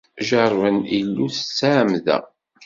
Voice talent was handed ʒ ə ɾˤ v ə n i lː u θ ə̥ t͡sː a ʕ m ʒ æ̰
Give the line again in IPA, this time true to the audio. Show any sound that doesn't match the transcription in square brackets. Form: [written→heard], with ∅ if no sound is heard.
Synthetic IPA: ʒ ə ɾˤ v ə n i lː u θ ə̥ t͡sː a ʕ m [ʒ→ð] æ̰